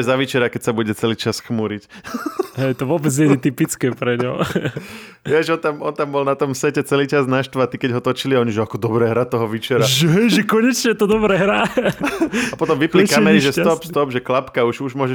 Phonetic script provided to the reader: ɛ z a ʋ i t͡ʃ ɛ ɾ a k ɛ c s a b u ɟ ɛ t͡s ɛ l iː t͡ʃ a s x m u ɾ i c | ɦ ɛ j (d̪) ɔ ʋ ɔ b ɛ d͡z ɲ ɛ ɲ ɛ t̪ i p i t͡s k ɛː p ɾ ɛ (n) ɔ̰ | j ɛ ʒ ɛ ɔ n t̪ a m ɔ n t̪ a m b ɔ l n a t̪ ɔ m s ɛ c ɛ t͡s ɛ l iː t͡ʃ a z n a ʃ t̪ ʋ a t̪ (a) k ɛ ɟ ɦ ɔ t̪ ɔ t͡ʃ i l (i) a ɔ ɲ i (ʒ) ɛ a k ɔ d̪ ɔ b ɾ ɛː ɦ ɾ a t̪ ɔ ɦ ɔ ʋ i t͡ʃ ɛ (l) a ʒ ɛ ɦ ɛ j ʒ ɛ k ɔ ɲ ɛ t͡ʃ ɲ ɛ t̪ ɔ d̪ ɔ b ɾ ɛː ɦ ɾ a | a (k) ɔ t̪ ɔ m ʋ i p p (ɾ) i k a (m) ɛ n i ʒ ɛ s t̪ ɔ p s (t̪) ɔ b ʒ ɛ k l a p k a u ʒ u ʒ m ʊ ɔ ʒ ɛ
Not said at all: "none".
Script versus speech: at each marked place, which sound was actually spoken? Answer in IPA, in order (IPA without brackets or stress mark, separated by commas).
t̪, ɲ, i, i, ʒ, ɾ, p, l, m, t̪